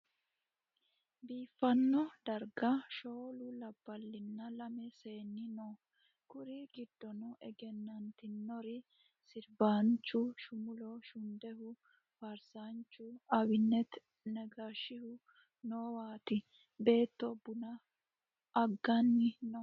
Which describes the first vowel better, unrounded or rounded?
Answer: unrounded